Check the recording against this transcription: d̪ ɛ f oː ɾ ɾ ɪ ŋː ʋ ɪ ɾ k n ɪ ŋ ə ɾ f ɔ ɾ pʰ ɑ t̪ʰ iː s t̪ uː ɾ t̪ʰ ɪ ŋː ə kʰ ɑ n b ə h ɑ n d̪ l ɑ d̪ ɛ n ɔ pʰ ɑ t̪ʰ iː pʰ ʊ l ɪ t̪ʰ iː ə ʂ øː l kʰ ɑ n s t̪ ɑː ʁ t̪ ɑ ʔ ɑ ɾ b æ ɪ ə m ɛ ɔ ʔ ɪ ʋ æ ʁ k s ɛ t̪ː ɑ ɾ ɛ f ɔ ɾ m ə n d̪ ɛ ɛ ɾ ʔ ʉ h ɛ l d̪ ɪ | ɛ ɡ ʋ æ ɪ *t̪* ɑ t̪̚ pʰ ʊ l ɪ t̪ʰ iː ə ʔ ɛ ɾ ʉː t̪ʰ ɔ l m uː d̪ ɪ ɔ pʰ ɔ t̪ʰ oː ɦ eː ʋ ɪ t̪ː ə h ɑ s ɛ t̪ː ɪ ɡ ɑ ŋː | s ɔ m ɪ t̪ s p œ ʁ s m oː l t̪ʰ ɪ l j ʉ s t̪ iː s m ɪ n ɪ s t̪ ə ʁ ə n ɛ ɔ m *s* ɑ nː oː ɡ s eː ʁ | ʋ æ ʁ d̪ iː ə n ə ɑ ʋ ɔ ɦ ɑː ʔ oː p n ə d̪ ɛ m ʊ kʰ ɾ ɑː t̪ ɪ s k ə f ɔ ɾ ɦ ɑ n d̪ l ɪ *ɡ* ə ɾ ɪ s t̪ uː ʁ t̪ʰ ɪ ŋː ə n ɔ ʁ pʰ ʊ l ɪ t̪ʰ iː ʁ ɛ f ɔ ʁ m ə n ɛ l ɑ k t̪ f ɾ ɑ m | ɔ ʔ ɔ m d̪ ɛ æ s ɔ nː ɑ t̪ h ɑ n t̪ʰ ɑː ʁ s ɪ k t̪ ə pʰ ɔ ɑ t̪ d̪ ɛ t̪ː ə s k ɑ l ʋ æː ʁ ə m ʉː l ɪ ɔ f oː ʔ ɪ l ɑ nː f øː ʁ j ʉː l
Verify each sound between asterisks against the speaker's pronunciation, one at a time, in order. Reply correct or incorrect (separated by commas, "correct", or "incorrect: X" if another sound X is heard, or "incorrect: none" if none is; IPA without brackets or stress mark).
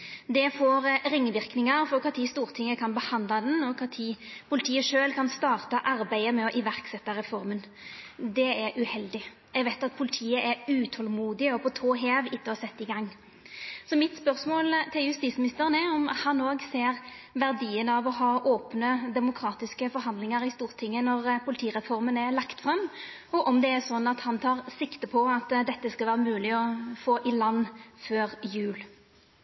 correct, incorrect: h, incorrect: ŋ